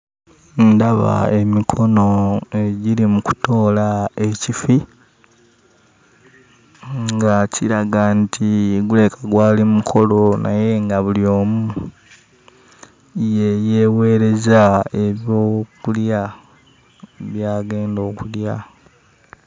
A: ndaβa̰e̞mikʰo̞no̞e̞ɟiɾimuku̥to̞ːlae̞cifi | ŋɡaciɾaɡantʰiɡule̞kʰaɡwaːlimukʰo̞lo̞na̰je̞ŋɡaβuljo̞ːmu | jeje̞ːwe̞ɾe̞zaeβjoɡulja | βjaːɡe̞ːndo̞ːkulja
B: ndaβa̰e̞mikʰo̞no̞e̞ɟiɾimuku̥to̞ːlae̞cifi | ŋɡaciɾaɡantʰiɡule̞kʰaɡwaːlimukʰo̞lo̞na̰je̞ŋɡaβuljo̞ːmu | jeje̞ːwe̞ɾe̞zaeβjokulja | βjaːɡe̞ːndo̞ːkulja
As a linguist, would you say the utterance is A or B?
B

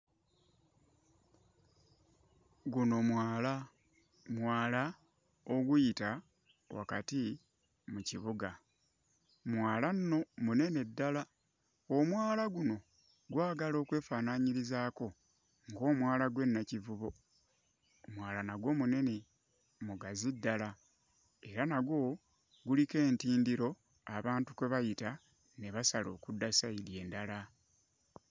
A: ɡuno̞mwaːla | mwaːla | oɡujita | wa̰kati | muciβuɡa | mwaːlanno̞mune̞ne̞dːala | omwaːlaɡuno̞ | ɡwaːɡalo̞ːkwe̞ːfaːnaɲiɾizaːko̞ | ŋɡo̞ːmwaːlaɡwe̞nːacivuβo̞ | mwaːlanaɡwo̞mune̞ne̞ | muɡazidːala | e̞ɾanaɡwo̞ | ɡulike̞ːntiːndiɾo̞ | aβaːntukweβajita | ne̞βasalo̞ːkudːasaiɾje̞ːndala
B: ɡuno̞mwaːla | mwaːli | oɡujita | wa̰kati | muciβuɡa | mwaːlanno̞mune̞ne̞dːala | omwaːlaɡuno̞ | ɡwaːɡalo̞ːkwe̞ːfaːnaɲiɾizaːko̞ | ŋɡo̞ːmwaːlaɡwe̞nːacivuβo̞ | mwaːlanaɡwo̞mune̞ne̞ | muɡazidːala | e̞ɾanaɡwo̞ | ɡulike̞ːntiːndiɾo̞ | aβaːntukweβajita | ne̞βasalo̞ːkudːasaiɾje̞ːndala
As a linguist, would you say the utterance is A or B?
A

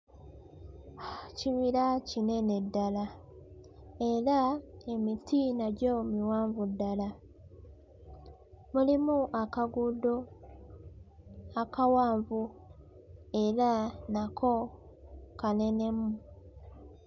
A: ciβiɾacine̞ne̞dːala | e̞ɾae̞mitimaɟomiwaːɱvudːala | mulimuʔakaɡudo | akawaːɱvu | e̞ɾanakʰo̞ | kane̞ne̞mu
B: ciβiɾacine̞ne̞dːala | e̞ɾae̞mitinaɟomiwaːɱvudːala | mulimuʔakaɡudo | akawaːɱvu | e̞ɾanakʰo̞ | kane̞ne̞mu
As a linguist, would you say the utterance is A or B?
B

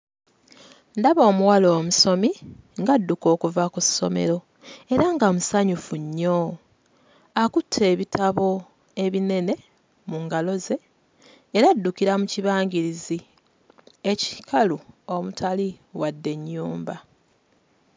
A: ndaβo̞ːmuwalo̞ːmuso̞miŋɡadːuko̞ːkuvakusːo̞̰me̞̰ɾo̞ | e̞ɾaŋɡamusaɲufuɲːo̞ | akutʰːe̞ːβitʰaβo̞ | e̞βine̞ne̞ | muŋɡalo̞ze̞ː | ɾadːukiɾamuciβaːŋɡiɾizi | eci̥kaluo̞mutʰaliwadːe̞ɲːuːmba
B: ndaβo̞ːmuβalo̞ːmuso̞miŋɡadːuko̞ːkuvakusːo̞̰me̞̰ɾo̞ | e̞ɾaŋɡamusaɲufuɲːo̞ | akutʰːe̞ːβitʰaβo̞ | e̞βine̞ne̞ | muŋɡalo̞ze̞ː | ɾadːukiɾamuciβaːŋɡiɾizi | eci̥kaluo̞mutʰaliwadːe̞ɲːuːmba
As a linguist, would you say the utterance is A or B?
A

